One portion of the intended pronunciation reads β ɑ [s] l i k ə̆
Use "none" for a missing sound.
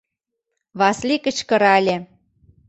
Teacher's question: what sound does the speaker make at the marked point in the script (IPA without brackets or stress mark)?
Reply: s